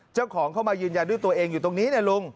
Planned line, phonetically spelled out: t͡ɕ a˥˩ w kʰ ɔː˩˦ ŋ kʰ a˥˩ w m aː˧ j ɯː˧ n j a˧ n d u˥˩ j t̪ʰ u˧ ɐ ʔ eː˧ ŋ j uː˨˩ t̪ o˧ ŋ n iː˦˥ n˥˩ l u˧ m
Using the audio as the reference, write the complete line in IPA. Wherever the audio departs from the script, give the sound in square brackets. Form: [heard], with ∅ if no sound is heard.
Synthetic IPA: t͡ɕ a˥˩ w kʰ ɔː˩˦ ŋ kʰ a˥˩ w m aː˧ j ɯː˧ n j a˧ n d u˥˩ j [t̪] u˧ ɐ ʔ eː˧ ŋ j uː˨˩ t̪ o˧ ŋ n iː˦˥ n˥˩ l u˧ [ŋ]